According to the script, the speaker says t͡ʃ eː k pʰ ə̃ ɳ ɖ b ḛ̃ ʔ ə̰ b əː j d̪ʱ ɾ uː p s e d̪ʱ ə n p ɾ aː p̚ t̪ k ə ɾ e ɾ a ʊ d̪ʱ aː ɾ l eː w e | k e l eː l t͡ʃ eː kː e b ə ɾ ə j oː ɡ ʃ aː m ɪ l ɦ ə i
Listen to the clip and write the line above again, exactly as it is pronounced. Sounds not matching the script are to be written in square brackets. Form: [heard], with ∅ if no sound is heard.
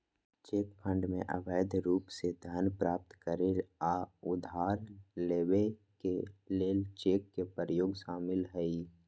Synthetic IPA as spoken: t͡ʃ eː k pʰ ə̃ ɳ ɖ [m] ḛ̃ ʔ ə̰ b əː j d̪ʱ ɾ uː p s e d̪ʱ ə n p ɾ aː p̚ t̪ k ə ɾ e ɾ a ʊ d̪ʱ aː ɾ l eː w e | k e l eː l t͡ʃ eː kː e [p] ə ɾ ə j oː ɡ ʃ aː m ɪ l ɦ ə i